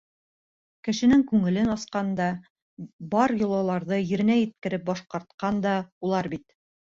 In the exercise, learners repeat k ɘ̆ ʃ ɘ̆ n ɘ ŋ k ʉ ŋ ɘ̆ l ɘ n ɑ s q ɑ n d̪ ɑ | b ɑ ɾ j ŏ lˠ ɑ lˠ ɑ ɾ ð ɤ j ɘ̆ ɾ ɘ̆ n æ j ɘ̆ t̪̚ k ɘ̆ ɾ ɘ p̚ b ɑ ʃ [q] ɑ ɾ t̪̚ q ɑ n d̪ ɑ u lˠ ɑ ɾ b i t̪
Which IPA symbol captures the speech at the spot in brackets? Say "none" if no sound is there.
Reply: q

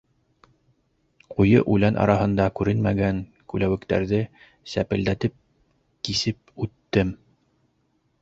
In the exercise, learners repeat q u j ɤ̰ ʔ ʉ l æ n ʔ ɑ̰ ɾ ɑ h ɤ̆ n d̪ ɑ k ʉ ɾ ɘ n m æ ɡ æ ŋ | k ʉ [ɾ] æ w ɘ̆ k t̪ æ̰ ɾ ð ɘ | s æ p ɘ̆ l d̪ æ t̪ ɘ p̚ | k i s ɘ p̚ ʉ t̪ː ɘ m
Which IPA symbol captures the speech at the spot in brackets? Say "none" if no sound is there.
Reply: l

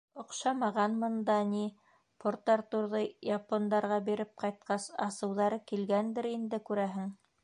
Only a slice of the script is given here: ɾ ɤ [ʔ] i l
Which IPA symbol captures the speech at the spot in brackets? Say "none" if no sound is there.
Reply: k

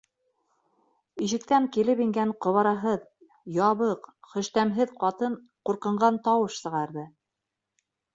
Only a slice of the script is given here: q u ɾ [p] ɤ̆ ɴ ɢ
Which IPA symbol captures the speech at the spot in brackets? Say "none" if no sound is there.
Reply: q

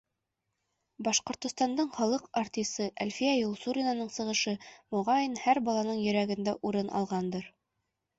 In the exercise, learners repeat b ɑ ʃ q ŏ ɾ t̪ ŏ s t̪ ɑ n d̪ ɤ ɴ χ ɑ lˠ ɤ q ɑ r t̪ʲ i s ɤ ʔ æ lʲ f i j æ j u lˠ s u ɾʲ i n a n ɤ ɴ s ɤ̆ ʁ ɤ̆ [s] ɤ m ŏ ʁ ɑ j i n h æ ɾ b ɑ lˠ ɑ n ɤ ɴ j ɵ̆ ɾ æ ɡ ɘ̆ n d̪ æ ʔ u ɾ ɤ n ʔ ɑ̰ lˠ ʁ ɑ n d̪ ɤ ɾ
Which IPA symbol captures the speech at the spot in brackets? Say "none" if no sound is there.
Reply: ʃ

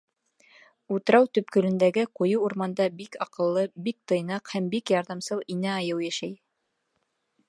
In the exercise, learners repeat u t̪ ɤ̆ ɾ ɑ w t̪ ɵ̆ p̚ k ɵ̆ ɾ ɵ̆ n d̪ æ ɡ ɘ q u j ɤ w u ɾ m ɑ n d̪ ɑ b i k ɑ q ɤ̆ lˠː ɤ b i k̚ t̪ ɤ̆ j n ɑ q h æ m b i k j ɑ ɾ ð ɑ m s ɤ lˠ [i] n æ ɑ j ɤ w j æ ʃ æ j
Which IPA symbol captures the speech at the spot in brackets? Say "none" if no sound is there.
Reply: i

